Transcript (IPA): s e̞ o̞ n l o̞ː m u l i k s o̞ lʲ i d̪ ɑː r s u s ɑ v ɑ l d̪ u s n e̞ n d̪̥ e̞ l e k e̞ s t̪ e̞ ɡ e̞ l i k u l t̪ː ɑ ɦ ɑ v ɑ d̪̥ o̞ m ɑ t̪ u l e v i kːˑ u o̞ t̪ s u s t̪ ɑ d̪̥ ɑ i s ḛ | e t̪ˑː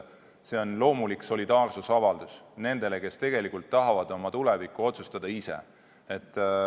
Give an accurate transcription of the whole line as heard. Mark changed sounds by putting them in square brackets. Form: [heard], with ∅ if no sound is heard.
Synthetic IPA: s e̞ o̞ n l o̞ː m u l i k s o̞ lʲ i d̪ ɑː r s u s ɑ v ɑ l d̪ u s n e̞ n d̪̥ e̞ l e k e̞ s t̪ e̞ ɡ e̞ l i k u l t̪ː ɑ ɦ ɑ v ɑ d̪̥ o̞ m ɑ t̪ u l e v i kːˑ u o̞ t̪ s u s t̪ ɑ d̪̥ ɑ i s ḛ | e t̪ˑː